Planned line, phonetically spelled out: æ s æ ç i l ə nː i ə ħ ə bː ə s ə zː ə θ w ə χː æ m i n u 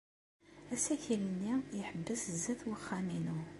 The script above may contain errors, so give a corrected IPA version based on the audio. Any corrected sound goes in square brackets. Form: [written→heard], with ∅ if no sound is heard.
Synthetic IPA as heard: æ s æ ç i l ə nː i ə ħ ə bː ə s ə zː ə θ w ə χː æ m i n u